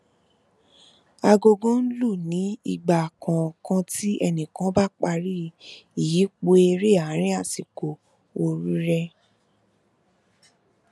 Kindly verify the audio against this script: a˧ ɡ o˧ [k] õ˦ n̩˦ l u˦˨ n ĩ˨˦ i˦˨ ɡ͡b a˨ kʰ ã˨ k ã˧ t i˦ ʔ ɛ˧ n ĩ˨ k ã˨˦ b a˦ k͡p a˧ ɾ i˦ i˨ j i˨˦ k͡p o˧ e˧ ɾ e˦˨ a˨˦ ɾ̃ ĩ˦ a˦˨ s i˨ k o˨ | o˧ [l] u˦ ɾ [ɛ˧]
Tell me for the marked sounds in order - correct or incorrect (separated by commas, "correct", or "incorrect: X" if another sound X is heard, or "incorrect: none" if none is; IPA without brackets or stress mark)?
incorrect: ɡ, incorrect: ɾ, correct